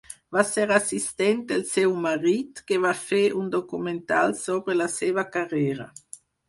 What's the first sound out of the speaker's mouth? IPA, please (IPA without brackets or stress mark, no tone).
v